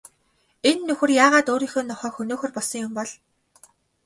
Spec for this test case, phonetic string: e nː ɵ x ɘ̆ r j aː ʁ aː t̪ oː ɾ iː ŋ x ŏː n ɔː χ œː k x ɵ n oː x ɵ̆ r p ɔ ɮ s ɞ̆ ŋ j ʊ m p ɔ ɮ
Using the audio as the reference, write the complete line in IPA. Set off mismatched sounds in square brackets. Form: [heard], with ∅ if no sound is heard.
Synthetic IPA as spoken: e nː ɵ x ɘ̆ r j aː ʁ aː t̪ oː ɾ iː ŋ x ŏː n [ɔ] χ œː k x ɵ n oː x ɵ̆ r p ɔ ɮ s ɞ̆ ŋ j ʊ m p ɔ ɮ